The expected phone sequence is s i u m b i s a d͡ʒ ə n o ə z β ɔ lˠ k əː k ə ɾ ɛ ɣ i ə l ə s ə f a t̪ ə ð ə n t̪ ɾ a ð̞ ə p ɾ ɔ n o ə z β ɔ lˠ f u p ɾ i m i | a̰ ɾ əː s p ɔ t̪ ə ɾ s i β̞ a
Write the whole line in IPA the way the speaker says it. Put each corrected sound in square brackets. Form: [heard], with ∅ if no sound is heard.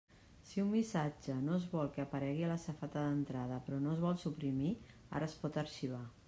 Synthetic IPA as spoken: s i u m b i s a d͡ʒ ə n o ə z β ɔ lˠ k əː [p] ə ɾ ɛ ɣ i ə l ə s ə f a t̪ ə ð ə n t̪ ɾ a ð̞ ə p ɾ ɔ n o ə z β ɔ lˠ [s] u p ɾ i m i | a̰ ɾ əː s p ɔ t̪ ə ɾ [ʃ] i β̞ a